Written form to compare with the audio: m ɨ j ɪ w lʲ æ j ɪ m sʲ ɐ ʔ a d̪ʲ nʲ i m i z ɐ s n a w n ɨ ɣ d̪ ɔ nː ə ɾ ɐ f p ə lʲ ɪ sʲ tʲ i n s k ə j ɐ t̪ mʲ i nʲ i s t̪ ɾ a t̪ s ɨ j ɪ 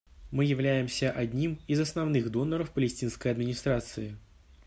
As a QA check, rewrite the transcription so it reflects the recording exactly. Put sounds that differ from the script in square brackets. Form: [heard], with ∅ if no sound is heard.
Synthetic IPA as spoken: m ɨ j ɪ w lʲ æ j ɪ m sʲ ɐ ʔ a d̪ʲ nʲ i m i z ɐ s n a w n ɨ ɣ d̪ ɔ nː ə ɾ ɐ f p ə lʲ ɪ sʲ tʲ i n s k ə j ɐ [d̪] mʲ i nʲ i s t̪ ɾ a t̪ s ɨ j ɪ